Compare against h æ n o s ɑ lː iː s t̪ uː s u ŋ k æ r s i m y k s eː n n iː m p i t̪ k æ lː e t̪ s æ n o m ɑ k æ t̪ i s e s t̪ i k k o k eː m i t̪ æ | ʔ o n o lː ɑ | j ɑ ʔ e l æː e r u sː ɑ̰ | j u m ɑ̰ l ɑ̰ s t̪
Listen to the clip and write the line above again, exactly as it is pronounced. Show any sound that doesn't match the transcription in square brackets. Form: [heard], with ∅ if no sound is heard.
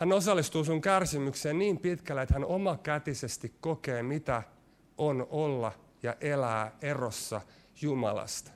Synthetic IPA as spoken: h æ n o s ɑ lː [i] s t̪ uː s u ŋ k æ r s i m y k s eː n n iː m p i t̪ k æ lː e t̪ [h] æ n o m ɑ k æ t̪ i s e s t̪ i k k o k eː m i t̪ æ | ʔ o n o lː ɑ | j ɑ ʔ e l æː e r [o] sː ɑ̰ | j u m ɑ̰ l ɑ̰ s t̪